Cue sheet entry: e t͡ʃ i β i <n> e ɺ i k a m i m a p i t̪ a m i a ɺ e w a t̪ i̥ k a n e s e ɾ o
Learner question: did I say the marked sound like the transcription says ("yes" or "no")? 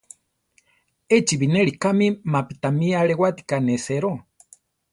yes